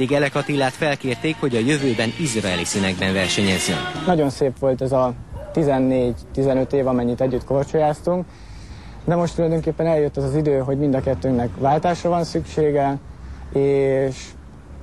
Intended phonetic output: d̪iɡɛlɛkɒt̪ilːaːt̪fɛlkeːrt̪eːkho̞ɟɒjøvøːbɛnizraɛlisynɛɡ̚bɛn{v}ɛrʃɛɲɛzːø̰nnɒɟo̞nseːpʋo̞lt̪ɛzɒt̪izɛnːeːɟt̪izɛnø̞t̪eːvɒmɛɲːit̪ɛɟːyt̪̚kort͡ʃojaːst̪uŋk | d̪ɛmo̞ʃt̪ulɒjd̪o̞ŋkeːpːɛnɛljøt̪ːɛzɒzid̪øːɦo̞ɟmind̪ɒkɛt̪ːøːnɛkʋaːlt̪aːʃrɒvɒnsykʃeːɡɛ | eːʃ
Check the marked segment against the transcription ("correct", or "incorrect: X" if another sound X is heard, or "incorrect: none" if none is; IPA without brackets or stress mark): correct